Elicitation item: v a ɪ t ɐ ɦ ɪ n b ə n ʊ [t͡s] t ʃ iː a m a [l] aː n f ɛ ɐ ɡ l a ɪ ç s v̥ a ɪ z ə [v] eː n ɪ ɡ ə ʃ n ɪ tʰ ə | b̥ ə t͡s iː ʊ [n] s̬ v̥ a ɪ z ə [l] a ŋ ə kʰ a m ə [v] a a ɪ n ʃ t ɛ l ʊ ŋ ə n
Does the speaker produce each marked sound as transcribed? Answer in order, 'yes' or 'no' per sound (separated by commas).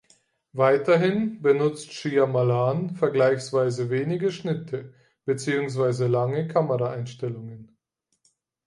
yes, yes, yes, no, yes, no